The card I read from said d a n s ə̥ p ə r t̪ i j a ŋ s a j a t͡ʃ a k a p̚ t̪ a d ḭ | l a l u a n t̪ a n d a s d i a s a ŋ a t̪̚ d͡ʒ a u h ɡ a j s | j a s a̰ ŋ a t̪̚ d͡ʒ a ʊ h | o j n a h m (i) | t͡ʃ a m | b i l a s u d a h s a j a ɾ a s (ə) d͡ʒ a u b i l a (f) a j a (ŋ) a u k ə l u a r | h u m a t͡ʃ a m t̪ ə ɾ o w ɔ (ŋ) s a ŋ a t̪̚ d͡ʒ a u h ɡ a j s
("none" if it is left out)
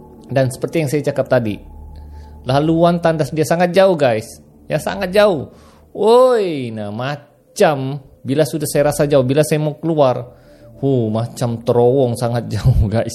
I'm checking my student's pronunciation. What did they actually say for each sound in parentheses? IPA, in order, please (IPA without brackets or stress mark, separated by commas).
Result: a, a, s, m, ŋ